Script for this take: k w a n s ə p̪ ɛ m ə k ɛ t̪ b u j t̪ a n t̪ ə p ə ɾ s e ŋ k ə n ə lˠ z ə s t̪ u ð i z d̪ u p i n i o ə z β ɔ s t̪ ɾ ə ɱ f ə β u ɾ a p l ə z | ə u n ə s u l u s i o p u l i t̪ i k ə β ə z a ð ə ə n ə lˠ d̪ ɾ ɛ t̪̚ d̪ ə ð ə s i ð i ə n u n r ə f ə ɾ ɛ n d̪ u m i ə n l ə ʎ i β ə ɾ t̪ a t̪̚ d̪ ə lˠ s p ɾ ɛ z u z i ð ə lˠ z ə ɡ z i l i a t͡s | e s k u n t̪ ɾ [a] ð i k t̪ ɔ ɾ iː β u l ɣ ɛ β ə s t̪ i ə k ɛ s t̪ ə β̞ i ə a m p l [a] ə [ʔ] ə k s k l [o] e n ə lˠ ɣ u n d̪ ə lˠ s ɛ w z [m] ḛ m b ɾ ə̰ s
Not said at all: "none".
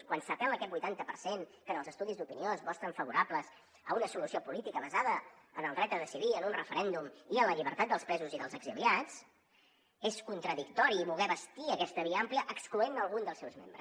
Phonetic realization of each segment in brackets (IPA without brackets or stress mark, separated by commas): ə, i, ʔ, u, m